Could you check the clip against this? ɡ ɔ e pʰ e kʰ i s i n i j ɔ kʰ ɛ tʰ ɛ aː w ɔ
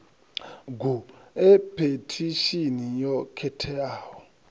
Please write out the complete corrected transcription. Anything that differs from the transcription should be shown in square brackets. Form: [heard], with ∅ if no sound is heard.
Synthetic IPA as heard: ɡ [u] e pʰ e [tʰ] i [ʃ] i n i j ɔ kʰ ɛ tʰ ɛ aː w ɔ